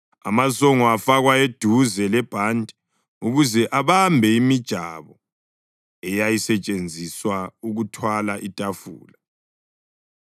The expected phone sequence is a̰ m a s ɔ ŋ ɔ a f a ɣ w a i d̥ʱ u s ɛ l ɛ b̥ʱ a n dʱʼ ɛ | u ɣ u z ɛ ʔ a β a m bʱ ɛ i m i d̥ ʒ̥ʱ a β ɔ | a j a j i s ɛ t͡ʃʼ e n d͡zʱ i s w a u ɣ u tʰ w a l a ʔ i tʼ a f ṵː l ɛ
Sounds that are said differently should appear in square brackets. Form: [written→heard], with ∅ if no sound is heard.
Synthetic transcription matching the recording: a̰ m a s ɔ ŋ ɔ a f a ɣ w a [i→e] d̥ʱ u [s→z] ɛ l ɛ b̥ʱ a n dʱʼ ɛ | u ɣ u z ɛ ʔ a β a m bʱ ɛ i m i d̥ ʒ̥ʱ a β ɔ | [a→ɛ] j a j i s ɛ t͡ʃʼ e n d͡zʱ i s w a u ɣ u tʰ w a l a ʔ i tʼ a f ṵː l [ɛ→a]